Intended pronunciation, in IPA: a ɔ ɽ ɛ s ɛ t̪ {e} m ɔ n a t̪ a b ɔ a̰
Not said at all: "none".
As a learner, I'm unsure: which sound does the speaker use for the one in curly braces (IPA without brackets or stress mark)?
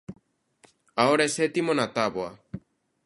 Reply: i